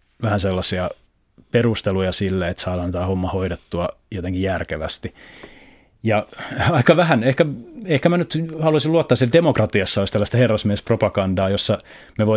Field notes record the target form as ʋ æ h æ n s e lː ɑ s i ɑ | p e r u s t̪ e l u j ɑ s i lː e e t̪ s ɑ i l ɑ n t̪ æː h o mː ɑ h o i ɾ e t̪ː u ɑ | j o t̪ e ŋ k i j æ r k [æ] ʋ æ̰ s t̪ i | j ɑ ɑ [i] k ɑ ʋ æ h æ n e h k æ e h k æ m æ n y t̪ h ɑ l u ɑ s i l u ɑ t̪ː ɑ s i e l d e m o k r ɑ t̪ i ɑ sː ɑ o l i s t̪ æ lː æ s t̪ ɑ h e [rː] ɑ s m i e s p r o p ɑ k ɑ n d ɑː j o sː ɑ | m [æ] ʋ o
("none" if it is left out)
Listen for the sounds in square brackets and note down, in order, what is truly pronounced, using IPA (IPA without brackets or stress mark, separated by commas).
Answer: e, i, rː, e